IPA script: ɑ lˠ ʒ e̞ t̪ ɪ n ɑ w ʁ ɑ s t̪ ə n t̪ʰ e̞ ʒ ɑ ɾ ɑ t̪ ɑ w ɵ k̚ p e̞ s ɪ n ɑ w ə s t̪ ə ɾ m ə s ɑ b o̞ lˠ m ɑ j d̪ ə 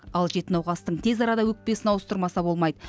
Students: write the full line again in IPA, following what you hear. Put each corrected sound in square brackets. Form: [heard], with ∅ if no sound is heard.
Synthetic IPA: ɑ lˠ ʒ e̞ t̪ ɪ n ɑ w ʁ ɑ s t̪ ə [ɴ] t̪ʰ e̞ [z] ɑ ɾ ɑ [d̪] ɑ w ɵ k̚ p e̞ s ɪ n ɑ w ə s t̪ ə ɾ m [ɑ] s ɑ b o̞ lˠ m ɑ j d̪ ə